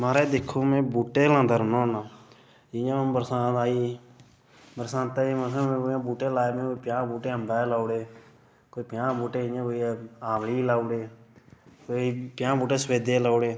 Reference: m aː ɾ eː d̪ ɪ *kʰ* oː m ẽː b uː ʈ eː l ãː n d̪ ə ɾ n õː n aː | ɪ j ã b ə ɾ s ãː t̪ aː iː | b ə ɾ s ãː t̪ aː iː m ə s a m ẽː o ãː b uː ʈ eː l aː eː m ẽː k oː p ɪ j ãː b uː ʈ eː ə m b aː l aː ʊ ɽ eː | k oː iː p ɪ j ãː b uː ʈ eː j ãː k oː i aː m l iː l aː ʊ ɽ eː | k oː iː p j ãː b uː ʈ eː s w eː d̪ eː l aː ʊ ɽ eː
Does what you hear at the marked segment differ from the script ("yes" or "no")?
no